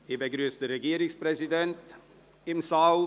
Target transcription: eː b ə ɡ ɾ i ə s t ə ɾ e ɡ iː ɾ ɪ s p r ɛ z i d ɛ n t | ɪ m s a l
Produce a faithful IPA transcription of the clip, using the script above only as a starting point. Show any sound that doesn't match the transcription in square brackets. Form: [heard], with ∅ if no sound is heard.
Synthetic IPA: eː b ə ɡ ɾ [y] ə s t ə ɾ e ɡ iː ɾ ɪ s p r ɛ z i d ɛ n t | ɪ m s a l